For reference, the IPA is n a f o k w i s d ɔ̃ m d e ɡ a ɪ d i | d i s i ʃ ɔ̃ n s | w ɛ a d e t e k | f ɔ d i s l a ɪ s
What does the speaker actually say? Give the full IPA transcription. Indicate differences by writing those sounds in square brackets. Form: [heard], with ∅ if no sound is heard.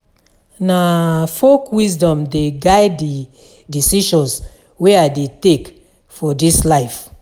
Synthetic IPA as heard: n a f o k w i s d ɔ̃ m d e ɡ a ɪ d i | d i s i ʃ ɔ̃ n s | w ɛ a d e t e k | f ɔ d i s l a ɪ [f]